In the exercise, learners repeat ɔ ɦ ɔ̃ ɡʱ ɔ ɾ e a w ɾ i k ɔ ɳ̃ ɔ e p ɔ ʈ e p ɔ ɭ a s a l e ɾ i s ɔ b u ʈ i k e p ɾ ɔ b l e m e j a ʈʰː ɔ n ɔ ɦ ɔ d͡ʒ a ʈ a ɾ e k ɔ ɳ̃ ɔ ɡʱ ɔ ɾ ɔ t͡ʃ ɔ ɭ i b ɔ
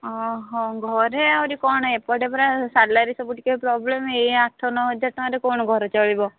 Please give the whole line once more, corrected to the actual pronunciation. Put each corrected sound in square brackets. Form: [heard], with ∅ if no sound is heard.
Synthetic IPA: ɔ ɦ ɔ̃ ɡʱ ɔ ɾ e a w ɾ i k ɔ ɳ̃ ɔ e p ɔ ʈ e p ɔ [ɾ] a s a l [a] ɾ i s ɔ b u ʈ i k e p ɾ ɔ b l e m e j a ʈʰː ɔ n ɔ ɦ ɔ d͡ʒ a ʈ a ɾ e k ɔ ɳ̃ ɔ ɡʱ ɔ ɾ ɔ t͡ʃ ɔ ɭ i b ɔ